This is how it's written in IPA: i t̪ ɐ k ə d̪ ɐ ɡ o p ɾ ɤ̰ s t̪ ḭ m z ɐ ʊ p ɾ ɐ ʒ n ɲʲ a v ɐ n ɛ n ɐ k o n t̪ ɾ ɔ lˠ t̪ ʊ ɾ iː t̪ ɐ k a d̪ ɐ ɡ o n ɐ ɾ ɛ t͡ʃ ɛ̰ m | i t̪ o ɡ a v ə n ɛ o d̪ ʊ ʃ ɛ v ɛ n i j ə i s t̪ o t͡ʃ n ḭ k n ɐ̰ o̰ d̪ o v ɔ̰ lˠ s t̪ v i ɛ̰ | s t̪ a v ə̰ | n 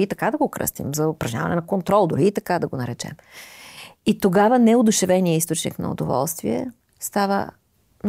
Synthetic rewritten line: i t̪ ɐ k a d̪ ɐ ɡ o k ɾ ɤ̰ s t̪ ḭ m z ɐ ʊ p ɾ ɐ ʒ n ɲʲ a v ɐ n ɛ n ɐ k o n t̪ ɾ ɔ lˠ d̪ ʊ ɾ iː t̪ ɐ k a d̪ ɐ ɡ o n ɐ ɾ ɛ t͡ʃ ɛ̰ m | i t̪ o ɡ a v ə n ɛ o d̪ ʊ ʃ ɛ v ɛ n i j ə i s t̪ o t͡ʃ n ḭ k n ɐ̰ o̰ d̪ o v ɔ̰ lˠ s t̪ v i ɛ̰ | s t̪ a v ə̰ | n